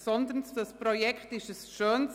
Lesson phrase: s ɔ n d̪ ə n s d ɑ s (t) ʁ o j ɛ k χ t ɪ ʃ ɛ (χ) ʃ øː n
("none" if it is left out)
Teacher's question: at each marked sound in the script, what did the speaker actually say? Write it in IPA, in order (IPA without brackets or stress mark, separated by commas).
p, s